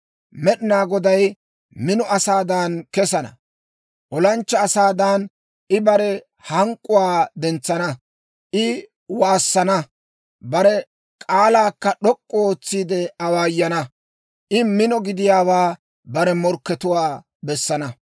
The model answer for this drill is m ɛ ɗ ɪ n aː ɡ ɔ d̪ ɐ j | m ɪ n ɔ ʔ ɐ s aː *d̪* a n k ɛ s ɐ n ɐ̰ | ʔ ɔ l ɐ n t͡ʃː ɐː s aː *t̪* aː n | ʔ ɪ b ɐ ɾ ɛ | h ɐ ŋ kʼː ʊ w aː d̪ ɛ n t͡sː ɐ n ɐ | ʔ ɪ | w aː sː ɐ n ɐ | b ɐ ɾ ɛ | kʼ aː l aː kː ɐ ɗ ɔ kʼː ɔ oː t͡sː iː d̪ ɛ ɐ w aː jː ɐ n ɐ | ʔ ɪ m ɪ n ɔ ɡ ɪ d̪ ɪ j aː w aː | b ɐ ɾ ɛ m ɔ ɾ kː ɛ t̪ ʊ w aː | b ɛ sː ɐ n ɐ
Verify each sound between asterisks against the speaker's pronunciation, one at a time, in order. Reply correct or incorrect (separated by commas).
correct, incorrect